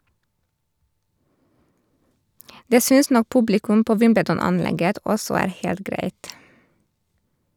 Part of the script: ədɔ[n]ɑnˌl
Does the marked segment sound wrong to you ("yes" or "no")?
no